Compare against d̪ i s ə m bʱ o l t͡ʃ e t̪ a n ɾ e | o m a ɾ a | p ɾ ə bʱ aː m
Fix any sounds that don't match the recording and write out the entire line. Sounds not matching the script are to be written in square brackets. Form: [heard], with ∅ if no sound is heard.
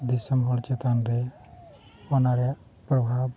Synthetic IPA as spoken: d̪ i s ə m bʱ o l t͡ʃ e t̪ a n ɾ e | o [n] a ɾ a | p ɾ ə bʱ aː [b]

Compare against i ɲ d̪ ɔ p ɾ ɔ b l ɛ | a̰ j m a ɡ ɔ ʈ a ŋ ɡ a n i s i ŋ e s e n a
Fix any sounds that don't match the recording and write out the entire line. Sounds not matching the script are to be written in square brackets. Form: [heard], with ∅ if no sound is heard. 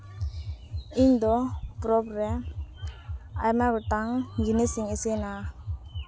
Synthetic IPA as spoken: i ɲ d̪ ɔ p ɾ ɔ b [ɾ] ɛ | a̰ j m a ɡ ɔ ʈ a ŋ ɡ [i] n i s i ŋ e s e n a

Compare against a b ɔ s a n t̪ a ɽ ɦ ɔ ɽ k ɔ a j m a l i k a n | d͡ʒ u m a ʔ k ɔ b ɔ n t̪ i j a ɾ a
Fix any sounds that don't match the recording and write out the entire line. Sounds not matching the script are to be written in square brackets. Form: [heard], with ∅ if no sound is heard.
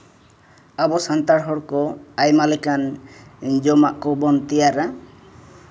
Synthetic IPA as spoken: a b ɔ s a n t̪ a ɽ ɦ ɔ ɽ k ɔ a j m a l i k a n | d͡ʒ [ɔ] m a ʔ k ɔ b ɔ n t̪ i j a ɾ a

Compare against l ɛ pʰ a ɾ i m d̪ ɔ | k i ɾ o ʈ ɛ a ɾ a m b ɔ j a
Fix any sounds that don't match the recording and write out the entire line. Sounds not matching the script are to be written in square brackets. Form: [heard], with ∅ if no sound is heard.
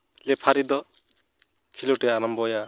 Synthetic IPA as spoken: l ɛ pʰ a ɾ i [∅] d̪ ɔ | [kʰ] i [l] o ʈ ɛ a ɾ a m b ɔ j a

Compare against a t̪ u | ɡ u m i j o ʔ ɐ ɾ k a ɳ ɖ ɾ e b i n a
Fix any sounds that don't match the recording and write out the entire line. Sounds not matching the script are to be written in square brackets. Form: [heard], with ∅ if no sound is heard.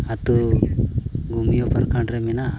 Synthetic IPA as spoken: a t̪ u | ɡ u m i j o [p] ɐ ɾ k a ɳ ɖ ɾ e [m] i n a

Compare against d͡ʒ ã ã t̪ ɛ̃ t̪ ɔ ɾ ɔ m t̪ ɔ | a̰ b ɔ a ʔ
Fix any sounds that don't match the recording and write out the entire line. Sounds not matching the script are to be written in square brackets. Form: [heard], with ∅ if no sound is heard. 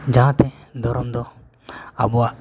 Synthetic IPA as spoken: d͡ʒ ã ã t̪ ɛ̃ [d̪] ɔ ɾ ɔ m [d̪] ɔ | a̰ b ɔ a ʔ

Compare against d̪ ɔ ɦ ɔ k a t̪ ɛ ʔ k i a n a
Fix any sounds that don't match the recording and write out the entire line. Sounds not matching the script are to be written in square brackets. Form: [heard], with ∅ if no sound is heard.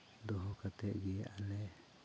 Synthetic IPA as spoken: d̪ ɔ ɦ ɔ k a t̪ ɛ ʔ [ɡ] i a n [ɛ]

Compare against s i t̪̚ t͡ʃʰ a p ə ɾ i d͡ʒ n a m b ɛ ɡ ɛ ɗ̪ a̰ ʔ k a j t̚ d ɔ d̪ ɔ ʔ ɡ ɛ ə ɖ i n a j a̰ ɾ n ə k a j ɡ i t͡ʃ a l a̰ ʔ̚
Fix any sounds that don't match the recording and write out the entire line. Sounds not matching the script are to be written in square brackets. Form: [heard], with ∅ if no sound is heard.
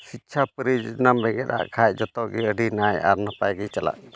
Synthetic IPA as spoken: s i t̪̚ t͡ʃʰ a p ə ɾ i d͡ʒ n a m b ɛ ɡ ɛ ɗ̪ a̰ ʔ [kʰ] a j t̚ [d͡ʒ] ɔ [t̪] ɔ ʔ ɡ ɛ ə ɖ i n a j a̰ ɾ n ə [p] a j ɡ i t͡ʃ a l a̰ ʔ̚

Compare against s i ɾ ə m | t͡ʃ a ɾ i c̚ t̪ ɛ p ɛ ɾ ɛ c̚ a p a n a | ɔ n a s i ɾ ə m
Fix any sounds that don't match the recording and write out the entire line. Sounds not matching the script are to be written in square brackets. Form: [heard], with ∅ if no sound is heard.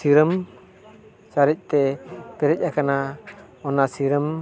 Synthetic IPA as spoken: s i ɾ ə m | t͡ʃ a ɾ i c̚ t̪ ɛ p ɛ ɾ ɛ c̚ a [k] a n a | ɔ n a s i ɾ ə m

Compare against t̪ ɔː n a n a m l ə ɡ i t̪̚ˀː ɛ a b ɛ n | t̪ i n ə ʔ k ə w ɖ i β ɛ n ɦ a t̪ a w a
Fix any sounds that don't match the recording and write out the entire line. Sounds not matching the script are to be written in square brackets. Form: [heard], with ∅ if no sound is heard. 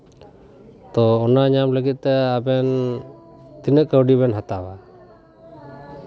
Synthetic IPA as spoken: t̪ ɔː n a [ɲ] a m l ə ɡ i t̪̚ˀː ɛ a b ɛ n | t̪ i n ə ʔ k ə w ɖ i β ɛ n ɦ a t̪ a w a

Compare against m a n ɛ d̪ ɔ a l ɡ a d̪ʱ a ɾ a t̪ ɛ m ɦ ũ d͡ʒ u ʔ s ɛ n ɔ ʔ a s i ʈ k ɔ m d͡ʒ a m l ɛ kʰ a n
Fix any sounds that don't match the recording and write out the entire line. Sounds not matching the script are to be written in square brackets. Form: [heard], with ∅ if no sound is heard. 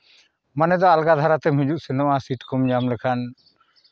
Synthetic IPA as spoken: m a n ɛ d̪ ɔ a l ɡ a d̪ʱ a ɾ a t̪ ɛ m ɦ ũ d͡ʒ u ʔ s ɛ n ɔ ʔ a s i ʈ k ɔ m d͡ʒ a m l ɛ kʰ a n

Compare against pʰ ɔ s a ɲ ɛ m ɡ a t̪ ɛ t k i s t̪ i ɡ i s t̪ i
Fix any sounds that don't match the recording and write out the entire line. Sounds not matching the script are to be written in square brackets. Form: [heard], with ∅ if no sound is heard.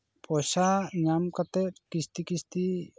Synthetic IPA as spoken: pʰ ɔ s a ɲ [a] m [k] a t̪ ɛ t k i s t̪ i [k] i s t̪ i

